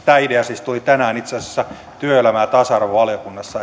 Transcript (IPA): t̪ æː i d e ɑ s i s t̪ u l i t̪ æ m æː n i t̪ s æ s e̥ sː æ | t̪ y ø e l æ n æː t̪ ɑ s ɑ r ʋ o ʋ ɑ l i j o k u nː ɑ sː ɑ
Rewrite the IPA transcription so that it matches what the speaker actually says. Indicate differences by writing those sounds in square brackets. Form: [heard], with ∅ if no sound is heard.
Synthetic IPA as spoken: t̪ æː i d e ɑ s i s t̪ u l i t̪ æ [n] æː n i t̪ s [e] s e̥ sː æ | t̪ y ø e l æ [m] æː t̪ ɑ s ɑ r ʋ o ʋ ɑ l i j o k u nː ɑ sː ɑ

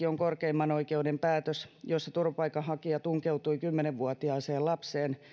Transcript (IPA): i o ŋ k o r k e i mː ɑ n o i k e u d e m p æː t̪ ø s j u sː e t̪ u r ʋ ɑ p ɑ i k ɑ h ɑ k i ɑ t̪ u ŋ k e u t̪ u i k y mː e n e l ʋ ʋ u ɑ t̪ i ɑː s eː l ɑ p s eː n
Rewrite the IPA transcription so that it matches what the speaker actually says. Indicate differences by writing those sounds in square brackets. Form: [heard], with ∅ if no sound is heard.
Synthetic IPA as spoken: i o ŋ k o r k e i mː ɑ n o i k e u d e m p æː t̪ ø s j [o] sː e t̪ u r ʋ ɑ p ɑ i k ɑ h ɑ k i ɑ t̪ u ŋ k e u t̪ u i k y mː e n e [∅] ʋ ʋ u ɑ t̪ i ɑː s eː l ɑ p s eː n

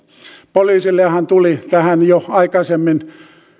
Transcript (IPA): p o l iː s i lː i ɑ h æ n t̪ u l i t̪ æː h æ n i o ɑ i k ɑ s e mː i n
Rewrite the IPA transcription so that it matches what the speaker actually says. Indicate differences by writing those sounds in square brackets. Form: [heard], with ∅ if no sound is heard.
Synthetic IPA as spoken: p o l iː s i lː [e] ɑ h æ n t̪ u l i t̪ [æ] h æ n [j] o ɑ i k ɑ s e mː i n

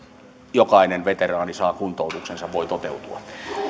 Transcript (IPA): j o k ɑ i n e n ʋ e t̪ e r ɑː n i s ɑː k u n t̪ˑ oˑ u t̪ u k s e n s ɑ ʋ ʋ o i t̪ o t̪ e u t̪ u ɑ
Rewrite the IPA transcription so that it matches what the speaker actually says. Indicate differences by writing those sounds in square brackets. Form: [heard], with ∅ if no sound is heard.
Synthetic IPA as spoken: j o k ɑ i n e n ʋ e t̪ e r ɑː n i s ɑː k u n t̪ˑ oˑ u t̪ u k s e n s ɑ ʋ ʋ o i t̪ o t̪ e u t̪ u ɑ

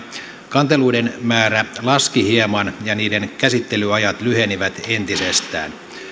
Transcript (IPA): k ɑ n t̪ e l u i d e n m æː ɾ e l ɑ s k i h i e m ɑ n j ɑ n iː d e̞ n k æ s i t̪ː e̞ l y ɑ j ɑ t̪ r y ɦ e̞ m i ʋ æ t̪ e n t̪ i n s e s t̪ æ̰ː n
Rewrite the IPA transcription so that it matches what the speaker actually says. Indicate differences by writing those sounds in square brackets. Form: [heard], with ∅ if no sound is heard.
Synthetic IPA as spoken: k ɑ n t̪ e l u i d e n m æː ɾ [æ] l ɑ s k i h i e m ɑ n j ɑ n iː d e̞ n k æ s i t̪ː e̞ l y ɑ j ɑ t̪ [l] y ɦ e̞ [n] i ʋ æ t̪ e n t̪ i [∅] s e s t̪ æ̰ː n

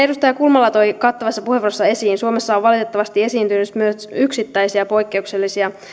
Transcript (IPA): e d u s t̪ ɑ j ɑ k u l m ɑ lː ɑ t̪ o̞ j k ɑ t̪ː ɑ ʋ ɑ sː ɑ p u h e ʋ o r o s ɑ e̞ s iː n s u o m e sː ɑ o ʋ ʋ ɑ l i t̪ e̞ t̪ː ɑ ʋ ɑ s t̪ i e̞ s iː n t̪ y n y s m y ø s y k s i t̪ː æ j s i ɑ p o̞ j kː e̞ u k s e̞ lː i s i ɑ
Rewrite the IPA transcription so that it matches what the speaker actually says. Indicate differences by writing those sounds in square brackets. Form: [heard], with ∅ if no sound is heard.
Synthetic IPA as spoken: e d u s t̪ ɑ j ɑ k u l m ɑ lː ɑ t̪ o̞ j k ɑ t̪ː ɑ ʋ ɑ sː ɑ p u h e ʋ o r o [sː] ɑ e̞ s iː n s u o m e sː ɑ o ʋ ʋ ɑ l i t̪ e̞ t̪ː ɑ ʋ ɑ s t̪ i e̞ s iː n t̪ y n y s m y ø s y k s i t̪ː æ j s i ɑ p o̞ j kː e̞ u k s e̞ lː i s i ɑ

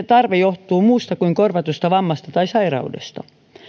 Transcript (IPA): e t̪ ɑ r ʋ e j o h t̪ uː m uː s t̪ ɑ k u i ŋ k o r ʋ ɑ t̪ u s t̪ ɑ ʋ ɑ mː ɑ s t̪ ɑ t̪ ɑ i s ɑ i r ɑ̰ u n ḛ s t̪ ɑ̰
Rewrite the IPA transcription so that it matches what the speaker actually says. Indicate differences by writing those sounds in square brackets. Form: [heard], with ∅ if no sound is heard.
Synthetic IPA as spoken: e t̪ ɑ r ʋ e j o h t̪ uː m uː s t̪ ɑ k u i ŋ k o r ʋ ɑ t̪ u s t̪ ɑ ʋ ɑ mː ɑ s t̪ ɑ t̪ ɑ i s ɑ i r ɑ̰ u [d] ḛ s t̪ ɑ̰

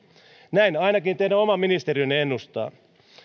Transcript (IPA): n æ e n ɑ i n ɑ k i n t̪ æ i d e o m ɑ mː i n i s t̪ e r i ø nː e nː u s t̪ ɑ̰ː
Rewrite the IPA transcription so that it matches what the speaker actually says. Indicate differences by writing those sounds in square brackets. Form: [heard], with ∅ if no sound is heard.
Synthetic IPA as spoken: n æ [i] n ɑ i n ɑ k i n t̪ [e] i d [æ] o m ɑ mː i n i s t̪ e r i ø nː e nː u s t̪ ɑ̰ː

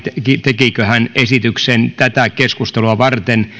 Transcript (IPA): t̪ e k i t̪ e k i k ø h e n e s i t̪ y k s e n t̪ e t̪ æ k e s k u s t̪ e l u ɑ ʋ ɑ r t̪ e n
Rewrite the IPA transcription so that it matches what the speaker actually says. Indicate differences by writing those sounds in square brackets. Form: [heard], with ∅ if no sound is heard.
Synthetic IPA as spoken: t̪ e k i t̪ e k i k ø h [æ] n e s i t̪ y k s e n t̪ [æ] t̪ æ k e s k u s t̪ e l u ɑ ʋ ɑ r t̪ e n

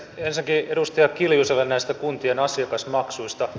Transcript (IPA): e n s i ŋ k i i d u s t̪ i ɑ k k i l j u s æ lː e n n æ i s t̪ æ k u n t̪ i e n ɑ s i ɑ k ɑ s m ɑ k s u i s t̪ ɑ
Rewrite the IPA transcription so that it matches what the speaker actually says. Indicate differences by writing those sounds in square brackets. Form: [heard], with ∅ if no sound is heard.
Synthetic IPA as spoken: e n s i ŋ k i [e] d u s t̪ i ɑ k k i l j u s [e] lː e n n æ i s t̪ æ k u n t̪ i e n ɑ s i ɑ k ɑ s m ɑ k s u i s t̪ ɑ

